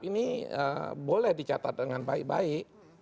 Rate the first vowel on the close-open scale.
close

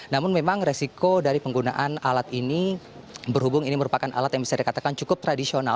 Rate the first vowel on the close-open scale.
open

